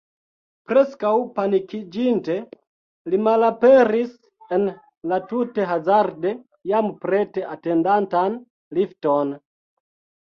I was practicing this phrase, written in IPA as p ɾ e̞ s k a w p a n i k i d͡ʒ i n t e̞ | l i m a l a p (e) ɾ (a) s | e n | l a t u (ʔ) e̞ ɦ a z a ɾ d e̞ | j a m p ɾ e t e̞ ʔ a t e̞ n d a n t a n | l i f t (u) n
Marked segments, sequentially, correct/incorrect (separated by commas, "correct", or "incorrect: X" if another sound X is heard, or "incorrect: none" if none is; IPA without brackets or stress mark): correct, incorrect: i, incorrect: t, incorrect: o